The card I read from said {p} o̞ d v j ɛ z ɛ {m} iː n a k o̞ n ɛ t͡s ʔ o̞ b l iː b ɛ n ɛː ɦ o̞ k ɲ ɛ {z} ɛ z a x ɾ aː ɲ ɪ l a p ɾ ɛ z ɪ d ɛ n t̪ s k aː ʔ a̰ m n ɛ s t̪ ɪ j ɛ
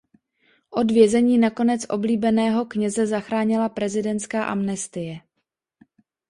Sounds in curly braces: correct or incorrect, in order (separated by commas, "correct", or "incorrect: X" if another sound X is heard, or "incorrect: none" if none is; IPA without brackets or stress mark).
incorrect: ʔ, incorrect: ɲ, correct